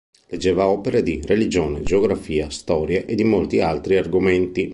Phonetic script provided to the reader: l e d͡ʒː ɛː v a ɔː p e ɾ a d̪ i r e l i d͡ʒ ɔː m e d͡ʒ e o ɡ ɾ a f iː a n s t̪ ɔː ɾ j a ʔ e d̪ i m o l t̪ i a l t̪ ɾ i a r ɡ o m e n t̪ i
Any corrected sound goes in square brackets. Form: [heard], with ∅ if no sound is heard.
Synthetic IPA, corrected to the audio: l e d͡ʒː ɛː v a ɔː p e ɾ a d̪ i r e l i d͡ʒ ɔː [n] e d͡ʒ e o ɡ ɾ a f iː a [∅] s t̪ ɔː ɾ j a ʔ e d̪ i m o l t̪ i a l t̪ ɾ i a r ɡ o m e n t̪ i